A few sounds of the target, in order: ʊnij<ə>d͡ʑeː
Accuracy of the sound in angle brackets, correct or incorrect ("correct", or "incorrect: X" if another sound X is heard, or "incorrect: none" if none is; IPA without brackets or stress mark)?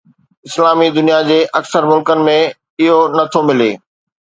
incorrect: a